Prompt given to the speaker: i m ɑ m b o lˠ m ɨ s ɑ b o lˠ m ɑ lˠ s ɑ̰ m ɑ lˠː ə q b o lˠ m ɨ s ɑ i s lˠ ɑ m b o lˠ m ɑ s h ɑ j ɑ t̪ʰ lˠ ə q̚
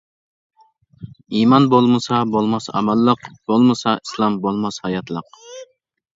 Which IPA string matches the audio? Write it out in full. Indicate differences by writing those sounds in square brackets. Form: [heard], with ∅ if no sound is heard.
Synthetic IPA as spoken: i m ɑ [n] b o lˠ m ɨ s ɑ b o lˠ m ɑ [∅] s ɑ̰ m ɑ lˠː ə q b o lˠ m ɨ s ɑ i s lˠ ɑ m b o lˠ m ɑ s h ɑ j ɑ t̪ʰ lˠ ə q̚